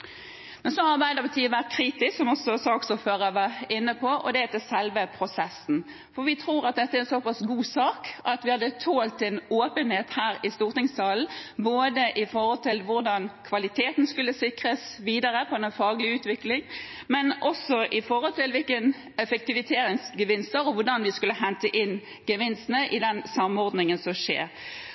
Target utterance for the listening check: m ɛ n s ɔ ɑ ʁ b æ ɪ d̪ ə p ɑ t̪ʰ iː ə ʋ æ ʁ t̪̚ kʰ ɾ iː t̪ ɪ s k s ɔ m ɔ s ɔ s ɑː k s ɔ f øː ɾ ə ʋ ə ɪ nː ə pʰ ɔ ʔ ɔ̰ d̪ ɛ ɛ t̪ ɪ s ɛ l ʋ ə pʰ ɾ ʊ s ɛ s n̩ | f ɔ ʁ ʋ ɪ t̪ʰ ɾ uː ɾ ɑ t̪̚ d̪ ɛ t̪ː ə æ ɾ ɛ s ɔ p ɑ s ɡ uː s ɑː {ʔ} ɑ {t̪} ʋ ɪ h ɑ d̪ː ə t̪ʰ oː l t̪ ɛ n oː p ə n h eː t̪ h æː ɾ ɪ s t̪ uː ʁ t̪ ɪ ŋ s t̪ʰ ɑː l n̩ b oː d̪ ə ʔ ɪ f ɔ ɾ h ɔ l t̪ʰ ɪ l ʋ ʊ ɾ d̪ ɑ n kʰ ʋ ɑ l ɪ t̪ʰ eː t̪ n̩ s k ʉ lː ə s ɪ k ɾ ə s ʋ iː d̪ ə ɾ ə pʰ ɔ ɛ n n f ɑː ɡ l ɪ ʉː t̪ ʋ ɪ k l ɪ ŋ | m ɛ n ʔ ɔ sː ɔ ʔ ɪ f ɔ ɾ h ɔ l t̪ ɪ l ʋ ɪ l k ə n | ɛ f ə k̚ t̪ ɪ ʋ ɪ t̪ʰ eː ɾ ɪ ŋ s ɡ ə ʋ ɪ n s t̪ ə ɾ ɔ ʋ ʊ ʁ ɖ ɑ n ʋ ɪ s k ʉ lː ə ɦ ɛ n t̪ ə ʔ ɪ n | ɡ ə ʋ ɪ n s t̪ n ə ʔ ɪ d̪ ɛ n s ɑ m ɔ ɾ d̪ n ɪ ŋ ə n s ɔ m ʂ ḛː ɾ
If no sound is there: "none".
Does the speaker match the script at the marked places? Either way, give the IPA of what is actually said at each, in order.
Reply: k, t̪

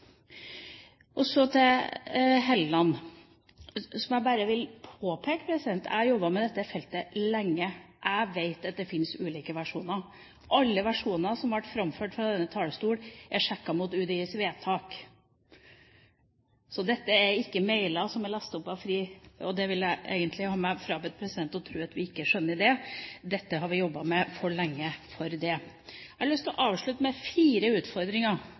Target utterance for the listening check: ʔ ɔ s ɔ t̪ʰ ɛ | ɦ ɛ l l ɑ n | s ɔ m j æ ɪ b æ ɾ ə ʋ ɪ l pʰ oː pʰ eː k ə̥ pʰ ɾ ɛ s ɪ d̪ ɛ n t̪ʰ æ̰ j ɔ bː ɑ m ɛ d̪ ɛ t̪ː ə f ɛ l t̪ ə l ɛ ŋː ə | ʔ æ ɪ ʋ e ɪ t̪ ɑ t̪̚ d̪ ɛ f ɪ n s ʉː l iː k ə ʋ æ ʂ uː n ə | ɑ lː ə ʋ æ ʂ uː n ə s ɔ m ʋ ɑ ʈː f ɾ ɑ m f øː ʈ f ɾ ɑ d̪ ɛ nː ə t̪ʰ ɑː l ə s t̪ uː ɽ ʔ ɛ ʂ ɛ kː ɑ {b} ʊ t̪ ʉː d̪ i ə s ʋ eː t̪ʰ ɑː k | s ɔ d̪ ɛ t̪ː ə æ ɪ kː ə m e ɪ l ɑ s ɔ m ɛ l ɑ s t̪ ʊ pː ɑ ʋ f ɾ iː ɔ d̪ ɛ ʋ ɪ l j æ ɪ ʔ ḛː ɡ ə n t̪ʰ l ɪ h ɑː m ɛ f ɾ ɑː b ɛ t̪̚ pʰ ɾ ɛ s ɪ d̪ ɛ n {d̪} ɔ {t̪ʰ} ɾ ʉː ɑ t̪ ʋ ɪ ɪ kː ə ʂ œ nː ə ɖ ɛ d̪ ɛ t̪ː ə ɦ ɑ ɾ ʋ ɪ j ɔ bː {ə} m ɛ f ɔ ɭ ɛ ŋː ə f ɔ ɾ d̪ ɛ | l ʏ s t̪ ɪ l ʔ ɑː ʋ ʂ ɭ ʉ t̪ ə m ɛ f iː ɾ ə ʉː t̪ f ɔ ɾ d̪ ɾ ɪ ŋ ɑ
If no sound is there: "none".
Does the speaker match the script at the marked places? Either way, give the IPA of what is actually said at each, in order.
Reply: m, t̪, t̪ʰ, ɑ

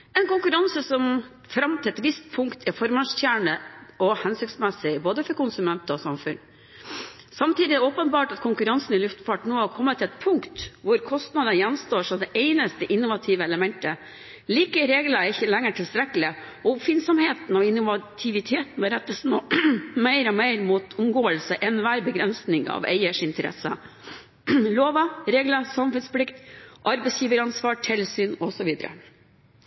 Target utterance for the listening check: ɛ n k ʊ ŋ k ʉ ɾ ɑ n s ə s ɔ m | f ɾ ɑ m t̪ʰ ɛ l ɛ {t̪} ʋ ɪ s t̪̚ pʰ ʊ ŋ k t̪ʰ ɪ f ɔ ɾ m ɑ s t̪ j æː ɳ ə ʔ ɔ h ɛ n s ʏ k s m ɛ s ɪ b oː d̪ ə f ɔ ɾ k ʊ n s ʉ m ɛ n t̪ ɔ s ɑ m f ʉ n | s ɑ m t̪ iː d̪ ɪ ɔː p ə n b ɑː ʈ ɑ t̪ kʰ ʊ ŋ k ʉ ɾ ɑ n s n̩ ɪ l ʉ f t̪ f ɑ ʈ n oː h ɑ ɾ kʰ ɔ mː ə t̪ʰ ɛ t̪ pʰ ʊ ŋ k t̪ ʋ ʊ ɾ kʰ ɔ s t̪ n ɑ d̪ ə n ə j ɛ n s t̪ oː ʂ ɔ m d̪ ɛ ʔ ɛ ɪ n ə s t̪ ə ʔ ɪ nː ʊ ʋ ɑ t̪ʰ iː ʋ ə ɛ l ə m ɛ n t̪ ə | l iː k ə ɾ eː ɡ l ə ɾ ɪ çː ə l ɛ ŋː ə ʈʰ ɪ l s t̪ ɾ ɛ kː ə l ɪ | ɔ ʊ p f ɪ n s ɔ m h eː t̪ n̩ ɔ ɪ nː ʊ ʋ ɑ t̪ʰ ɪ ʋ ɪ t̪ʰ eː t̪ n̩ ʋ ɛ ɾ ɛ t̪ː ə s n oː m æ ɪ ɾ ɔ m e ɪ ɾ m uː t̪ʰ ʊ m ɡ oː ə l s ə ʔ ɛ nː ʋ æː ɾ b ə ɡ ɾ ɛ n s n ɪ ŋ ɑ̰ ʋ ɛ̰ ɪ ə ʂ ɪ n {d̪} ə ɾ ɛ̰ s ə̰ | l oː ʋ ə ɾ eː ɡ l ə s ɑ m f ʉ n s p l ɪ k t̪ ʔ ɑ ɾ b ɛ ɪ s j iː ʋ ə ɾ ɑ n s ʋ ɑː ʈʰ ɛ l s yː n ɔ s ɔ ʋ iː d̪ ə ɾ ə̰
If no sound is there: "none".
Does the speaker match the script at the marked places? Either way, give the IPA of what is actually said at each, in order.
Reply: t̪, t̪

